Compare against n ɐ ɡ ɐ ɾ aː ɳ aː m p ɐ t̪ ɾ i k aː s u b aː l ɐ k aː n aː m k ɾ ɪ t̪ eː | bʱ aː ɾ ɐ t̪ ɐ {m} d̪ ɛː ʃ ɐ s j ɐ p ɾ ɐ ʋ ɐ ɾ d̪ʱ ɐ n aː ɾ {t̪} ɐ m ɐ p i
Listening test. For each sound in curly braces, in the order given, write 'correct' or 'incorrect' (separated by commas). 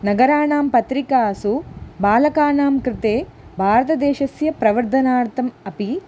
incorrect, correct